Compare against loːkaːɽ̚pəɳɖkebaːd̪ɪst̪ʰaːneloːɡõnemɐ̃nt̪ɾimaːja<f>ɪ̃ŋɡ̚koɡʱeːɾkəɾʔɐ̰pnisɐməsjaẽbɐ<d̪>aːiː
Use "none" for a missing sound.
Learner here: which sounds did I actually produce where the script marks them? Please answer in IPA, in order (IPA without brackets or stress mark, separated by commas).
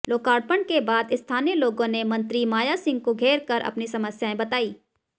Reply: s, t̪